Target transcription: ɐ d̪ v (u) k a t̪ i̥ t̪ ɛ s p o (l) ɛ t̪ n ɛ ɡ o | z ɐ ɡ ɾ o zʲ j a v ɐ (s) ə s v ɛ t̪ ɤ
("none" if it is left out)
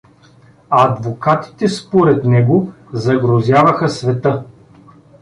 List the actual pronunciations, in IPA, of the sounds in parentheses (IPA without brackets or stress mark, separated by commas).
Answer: o, ɾ, x